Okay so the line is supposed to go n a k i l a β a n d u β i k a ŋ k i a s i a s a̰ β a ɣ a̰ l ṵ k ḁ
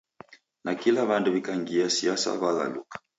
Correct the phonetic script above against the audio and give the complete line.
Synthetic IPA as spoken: n a k i l a β a n d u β i k a ŋ ɡ i a s i a s a̰ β a ɣ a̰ l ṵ k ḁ